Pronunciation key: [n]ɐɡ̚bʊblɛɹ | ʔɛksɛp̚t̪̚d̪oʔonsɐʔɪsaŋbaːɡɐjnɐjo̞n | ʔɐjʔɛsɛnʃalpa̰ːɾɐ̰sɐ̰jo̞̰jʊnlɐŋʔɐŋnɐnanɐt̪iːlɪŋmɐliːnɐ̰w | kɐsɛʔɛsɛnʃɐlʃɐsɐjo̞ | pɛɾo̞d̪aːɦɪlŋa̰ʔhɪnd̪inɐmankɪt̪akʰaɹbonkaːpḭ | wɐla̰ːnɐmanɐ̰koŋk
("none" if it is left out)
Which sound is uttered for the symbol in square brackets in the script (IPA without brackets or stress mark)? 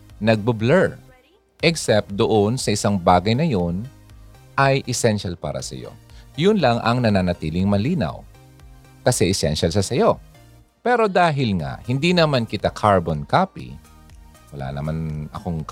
n